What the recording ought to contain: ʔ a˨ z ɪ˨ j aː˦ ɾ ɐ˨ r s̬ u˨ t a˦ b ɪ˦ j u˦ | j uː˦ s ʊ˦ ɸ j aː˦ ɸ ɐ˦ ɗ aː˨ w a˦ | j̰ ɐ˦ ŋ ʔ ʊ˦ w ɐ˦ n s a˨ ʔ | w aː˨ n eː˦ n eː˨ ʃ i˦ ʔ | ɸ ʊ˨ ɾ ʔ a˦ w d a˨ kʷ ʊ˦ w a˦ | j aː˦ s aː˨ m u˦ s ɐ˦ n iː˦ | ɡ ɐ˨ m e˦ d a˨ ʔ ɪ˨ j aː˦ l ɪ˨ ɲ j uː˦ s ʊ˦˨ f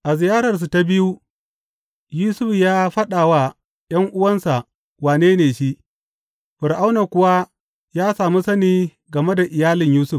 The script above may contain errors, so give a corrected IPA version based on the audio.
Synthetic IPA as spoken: ʔ a˨ z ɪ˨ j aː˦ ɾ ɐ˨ r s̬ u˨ t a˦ b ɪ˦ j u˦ | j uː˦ s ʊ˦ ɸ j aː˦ ɸ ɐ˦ ɗ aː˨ w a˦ | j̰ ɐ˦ ŋ ʔ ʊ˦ w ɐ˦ n s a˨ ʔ | w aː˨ n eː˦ n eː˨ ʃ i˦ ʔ | ɸ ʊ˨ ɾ ʔ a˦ w n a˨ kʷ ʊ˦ w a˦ | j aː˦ s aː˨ m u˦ s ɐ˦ n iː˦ | ɡ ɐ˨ m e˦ d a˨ ʔ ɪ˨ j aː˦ l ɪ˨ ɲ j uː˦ s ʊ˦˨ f